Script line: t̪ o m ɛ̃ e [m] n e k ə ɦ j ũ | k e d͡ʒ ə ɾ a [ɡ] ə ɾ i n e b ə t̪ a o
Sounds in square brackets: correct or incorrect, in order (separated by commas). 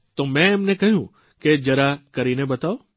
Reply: correct, incorrect